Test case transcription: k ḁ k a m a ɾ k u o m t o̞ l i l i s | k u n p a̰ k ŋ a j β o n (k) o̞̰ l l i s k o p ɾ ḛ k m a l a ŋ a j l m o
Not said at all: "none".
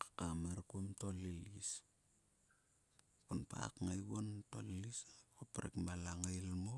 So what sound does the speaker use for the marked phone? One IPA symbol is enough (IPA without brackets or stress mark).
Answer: t